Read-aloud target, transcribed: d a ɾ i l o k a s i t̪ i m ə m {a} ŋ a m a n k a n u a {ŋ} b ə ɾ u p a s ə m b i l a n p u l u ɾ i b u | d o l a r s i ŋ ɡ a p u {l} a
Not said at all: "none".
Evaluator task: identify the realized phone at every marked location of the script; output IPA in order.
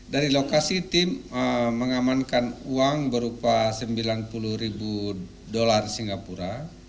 ə, ŋ, ɾ

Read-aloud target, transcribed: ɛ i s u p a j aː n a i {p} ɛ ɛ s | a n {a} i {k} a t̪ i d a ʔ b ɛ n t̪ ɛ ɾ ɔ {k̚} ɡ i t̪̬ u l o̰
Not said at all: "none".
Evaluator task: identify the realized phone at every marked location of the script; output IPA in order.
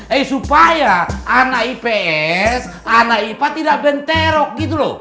p, a, p, k̚

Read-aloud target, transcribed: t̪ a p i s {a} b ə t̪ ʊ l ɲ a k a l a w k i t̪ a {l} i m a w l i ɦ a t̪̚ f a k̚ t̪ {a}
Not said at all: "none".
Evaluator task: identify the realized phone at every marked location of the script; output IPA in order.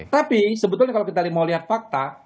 ə, l, a

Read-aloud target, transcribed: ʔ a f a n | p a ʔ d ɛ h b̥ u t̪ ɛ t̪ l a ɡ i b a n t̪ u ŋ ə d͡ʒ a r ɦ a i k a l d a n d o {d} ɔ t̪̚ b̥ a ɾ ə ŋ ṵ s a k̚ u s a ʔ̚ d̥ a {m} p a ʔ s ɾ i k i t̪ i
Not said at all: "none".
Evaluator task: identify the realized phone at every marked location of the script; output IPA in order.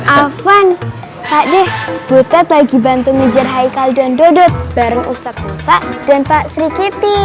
d, n

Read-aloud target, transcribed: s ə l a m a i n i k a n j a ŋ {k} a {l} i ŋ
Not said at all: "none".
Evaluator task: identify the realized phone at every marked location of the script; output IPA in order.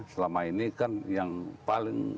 p, l

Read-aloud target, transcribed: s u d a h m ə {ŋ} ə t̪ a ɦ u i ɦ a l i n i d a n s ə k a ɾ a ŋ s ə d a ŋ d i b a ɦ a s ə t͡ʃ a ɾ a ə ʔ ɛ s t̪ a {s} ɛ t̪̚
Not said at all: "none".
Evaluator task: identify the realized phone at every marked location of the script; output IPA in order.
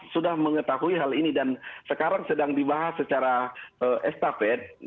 ŋ, f

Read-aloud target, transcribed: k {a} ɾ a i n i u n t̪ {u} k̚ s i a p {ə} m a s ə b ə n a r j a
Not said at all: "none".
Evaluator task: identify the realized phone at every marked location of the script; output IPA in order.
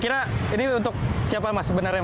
i, ʊ, a

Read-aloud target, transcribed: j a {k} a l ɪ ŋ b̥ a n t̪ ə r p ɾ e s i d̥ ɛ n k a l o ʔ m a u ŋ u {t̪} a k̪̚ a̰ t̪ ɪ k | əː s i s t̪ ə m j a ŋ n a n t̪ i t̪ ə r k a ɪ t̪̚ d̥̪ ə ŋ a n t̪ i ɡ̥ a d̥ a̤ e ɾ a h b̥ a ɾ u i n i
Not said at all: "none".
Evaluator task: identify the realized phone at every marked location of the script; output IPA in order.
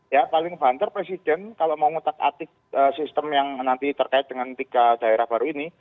p, t̪

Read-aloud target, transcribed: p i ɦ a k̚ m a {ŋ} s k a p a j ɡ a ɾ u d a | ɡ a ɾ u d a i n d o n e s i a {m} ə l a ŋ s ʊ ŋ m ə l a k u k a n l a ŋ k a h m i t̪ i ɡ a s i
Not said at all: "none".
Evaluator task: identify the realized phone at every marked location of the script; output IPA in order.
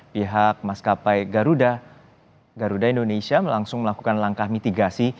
none, m

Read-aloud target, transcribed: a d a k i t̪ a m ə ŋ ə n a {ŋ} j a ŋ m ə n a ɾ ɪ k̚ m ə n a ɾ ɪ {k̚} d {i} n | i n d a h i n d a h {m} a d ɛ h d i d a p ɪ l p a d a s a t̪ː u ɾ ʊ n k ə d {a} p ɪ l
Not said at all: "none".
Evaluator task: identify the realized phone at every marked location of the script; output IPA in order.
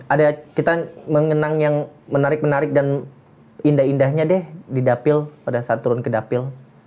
ŋ, k̚, a, ɲ, a

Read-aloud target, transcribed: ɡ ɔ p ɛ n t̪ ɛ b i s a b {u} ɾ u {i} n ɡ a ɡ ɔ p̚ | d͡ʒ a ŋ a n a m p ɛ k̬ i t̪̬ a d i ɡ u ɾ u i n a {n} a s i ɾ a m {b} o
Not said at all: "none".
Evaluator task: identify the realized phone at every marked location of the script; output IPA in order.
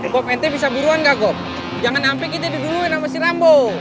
u, a, m, b

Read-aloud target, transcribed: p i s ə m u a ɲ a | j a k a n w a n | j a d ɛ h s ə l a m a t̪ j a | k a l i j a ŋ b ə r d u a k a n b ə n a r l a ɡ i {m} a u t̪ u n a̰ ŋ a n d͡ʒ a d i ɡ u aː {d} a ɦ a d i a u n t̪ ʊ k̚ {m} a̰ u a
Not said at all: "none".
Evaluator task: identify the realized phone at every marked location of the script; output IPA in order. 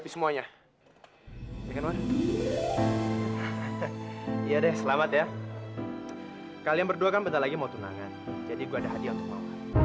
m, d, m

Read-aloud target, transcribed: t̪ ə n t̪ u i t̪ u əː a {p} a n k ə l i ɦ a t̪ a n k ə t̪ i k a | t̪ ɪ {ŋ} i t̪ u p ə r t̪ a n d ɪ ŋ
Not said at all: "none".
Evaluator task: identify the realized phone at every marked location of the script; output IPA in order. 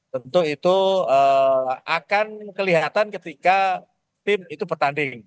k, m

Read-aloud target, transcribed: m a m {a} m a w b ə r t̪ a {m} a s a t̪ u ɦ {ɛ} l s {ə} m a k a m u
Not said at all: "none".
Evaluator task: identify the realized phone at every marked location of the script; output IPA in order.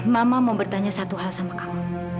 a, ɲ, a, a

